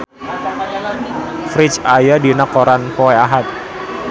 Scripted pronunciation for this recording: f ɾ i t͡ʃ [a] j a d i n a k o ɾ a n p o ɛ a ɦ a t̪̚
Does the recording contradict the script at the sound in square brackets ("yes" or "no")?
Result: no